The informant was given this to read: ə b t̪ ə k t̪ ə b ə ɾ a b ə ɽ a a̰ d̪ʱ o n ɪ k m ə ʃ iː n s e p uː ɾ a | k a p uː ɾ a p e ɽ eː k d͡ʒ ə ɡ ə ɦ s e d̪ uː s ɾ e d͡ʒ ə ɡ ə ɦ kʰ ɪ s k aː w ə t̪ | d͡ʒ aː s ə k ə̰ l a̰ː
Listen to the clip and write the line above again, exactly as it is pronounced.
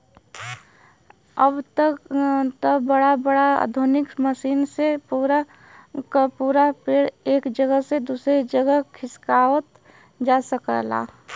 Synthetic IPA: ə b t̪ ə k t̪ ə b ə ɽ a b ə ɽ a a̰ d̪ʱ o n ɪ k m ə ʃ iː n s e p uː ɾ a | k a p uː ɾ a p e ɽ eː k d͡ʒ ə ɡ ə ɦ s e d̪ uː s ɾ e d͡ʒ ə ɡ ə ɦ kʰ ɪ s k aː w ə t̪ | d͡ʒ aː s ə k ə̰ l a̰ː